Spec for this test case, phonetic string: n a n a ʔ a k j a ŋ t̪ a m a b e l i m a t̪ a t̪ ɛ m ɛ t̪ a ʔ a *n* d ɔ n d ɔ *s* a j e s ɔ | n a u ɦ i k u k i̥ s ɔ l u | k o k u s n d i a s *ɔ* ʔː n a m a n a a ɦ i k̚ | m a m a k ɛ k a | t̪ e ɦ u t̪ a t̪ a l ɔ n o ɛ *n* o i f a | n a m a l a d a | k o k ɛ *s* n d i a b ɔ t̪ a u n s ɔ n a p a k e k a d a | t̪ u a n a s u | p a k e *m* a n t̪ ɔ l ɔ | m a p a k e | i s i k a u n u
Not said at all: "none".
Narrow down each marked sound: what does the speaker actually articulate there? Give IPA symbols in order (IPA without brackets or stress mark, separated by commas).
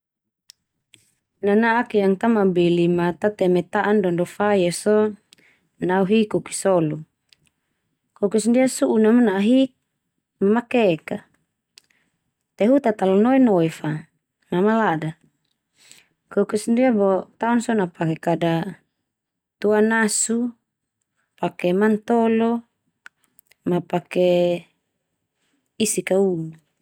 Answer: n, f, u, n, s, m